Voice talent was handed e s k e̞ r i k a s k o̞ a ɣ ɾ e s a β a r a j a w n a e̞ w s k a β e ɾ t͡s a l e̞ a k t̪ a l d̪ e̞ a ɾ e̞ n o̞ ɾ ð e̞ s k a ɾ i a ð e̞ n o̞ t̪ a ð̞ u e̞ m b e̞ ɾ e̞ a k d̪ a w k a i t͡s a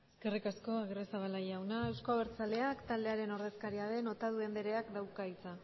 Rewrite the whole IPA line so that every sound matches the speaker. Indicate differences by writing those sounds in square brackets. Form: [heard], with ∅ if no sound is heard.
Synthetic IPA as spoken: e s k e̞ r i k a s k o̞ a ɣ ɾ e s a β a [l] a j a w n a e̞ w s k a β e ɾ t͡s a l e̞ a k t̪ a l d̪ e̞ a ɾ e̞ n o̞ ɾ ð e̞ s k a ɾ i a ð e̞ n o̞ t̪ a ð̞ u e̞ m b e̞ ɾ e̞ a k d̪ a w k a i t͡s a